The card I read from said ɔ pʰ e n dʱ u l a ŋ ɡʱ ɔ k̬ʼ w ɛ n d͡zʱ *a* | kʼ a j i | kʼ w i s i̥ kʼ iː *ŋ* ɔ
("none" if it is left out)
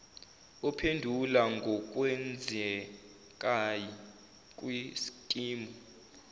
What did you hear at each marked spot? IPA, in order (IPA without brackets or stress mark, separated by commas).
ɛ, m